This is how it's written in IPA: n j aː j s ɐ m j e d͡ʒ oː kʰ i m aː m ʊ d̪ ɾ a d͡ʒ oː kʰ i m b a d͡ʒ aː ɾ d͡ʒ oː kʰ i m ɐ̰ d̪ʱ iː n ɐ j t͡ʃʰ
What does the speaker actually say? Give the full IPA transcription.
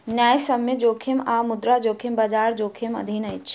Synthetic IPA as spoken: n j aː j s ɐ m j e d͡ʒ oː kʰ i m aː m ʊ d̪ ɾ a d͡ʒ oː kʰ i m b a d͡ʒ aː ɾ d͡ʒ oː kʰ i m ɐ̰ d̪ʱ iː n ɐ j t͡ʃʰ